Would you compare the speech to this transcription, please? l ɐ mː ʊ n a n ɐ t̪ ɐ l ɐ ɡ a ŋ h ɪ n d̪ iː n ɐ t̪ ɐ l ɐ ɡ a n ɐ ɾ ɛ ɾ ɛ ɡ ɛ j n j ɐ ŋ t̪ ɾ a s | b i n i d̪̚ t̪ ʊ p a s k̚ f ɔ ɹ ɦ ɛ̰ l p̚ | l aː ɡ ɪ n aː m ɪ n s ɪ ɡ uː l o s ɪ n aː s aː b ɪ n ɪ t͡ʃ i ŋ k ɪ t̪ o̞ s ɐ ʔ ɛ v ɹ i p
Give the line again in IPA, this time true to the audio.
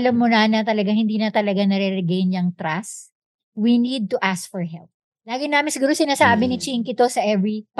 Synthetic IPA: l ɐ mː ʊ n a n ɐ t̪ ɐ l ɐ ɡ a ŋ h ɪ n d̪ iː n ɐ t̪ ɐ l ɐ ɡ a n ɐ ɾ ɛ ɾ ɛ ɡ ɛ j n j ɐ ŋ t̪ ɾ a s | w i n i d̪̚ t̪ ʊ ʔ a s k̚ f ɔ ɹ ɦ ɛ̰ l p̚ | l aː ɡ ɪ n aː m ɪ n s ɪ ɡ uː ɾ o s ɪ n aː s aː b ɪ n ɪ t͡ʃ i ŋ k ɪ t̪ o̞ s ɐ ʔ ɛ v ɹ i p